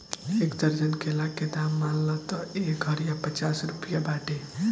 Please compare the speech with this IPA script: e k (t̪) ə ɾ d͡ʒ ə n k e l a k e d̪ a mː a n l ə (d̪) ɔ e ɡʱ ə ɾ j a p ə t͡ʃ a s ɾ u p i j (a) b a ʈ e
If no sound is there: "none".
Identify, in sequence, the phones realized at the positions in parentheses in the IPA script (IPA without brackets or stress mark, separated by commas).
d̪, t̪, a